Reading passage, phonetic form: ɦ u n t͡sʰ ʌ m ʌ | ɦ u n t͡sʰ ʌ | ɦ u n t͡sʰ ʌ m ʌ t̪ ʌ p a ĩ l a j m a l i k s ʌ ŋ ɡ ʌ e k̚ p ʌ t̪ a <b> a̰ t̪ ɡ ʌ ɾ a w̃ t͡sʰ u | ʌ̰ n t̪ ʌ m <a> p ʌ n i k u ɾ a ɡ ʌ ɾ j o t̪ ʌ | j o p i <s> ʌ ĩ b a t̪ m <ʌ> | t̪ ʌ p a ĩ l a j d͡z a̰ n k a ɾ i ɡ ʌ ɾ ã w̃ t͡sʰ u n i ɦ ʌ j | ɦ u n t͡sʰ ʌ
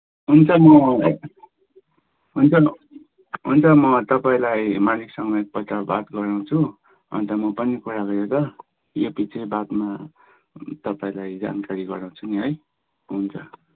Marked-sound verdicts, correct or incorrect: correct, incorrect: ʌ, incorrect: t͡s, incorrect: a

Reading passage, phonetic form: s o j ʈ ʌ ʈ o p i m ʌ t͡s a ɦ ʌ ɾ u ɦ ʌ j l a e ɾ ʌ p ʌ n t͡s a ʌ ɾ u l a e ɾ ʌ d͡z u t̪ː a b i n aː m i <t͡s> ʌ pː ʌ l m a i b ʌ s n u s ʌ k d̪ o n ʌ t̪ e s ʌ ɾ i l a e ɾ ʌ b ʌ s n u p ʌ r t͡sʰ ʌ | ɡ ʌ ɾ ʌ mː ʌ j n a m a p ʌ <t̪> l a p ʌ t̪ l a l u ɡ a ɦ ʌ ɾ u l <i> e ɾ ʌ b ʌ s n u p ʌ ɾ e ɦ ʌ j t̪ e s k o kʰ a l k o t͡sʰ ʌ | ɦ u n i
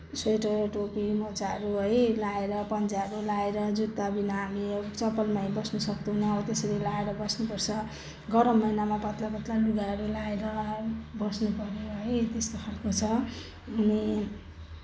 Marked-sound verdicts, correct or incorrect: correct, correct, incorrect: a

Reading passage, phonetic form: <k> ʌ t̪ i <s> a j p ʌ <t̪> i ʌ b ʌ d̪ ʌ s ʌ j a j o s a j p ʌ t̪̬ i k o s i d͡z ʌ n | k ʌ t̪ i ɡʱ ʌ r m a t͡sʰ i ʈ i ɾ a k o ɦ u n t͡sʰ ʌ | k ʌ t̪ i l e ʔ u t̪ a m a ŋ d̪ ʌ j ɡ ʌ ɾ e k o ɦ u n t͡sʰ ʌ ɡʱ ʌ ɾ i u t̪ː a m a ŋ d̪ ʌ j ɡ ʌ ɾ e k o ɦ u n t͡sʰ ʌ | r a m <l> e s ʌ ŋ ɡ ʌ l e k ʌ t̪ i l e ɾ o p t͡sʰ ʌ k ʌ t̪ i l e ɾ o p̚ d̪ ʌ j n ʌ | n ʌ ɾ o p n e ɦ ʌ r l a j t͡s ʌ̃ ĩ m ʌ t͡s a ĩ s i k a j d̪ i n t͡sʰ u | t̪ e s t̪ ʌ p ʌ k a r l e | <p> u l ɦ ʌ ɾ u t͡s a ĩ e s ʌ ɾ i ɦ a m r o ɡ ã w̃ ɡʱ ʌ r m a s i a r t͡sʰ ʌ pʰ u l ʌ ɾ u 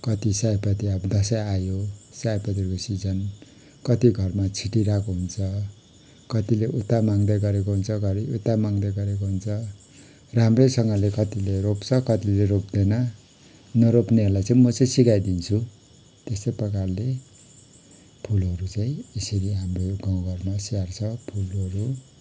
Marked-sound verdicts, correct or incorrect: correct, correct, correct, incorrect: r, incorrect: pʰ

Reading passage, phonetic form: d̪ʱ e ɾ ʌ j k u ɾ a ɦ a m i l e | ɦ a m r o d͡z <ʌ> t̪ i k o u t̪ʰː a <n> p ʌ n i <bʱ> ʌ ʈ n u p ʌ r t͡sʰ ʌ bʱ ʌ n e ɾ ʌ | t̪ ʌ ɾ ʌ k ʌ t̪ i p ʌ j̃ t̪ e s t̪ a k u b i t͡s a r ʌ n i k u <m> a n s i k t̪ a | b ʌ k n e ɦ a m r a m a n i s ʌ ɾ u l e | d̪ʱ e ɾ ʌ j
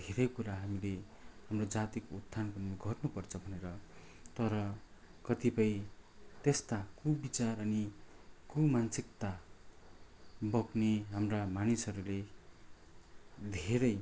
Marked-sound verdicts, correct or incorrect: incorrect: a, correct, incorrect: ɡʱ, correct

